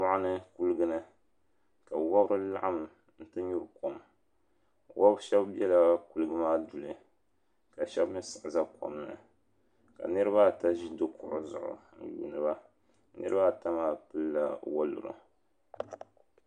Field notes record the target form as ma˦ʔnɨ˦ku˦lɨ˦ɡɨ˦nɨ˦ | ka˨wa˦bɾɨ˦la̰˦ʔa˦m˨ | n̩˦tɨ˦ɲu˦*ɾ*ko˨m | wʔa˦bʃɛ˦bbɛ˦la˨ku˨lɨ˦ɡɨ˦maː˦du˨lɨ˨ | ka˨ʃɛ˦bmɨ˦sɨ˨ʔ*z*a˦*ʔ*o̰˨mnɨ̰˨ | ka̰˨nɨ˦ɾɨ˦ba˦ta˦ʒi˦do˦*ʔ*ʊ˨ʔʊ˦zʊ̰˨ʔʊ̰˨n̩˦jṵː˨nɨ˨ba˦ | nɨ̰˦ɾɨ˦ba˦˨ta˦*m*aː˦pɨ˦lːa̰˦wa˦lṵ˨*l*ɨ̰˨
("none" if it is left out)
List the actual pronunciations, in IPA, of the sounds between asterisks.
ɾ, z, k, k, m, ɾ

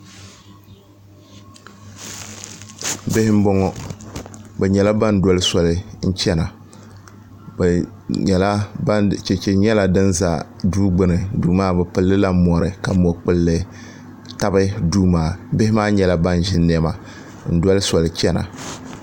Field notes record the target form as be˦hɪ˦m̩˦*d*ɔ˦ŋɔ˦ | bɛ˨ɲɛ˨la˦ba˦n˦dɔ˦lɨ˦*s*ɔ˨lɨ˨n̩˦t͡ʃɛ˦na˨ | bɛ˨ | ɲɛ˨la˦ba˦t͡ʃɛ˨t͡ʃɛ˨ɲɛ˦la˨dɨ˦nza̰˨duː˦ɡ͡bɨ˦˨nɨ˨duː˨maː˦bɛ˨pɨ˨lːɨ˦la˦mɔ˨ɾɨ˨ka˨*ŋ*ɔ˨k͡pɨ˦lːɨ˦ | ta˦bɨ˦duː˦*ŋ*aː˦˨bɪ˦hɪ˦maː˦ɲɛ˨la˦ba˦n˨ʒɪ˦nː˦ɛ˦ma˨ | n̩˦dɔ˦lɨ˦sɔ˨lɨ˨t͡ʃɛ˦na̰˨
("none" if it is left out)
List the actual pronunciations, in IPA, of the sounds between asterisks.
b, s, m, m

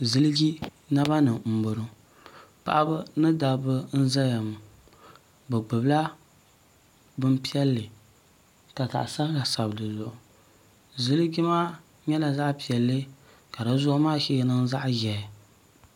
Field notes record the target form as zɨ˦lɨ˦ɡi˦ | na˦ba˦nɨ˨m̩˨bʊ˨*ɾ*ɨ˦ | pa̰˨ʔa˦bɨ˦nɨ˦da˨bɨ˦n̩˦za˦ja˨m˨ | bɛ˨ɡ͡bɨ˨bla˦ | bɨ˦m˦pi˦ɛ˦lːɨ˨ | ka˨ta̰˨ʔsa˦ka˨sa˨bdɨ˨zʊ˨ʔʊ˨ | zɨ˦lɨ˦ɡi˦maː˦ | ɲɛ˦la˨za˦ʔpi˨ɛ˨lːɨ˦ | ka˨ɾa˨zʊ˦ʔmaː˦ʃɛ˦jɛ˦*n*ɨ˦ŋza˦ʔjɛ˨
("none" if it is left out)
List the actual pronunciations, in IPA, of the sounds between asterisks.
ɾ, n

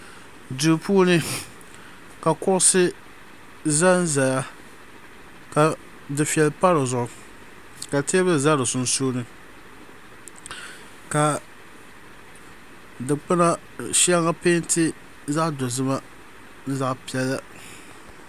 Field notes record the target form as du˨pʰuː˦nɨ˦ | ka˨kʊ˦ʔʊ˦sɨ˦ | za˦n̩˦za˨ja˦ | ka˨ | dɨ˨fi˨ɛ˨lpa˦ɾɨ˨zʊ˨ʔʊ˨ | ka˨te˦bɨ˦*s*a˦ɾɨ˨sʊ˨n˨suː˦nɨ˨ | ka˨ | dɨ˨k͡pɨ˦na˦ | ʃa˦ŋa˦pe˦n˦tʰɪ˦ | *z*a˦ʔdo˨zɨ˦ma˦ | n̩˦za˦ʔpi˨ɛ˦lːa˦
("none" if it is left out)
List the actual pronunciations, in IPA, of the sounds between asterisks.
z, z

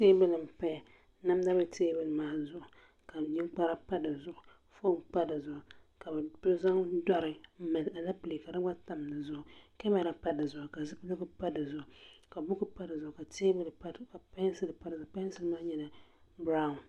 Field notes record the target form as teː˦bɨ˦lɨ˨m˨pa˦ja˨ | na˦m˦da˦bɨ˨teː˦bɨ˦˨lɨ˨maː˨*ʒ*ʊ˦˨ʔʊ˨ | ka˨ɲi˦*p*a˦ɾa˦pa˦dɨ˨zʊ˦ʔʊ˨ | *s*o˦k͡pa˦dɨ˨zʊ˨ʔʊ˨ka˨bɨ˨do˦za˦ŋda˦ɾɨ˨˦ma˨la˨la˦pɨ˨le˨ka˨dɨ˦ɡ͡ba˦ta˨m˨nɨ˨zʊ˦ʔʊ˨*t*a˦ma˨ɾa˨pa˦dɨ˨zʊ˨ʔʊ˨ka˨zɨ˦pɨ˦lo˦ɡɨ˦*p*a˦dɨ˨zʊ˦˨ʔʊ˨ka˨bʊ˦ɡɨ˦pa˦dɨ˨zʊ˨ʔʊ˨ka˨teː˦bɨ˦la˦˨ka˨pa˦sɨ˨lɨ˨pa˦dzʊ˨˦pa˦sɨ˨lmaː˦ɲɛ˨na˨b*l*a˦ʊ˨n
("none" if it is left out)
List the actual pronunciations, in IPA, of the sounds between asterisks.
z, k͡p, f, k, p, ɾ

